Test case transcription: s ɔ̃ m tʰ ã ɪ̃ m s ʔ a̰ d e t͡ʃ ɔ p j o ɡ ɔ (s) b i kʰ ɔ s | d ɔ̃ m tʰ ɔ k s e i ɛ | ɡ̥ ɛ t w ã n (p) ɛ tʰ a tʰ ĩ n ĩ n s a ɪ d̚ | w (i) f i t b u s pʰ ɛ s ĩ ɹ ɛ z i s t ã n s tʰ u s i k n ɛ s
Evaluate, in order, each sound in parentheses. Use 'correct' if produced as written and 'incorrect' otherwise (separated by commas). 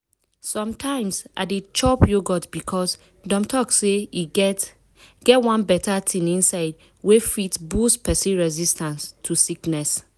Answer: incorrect, incorrect, incorrect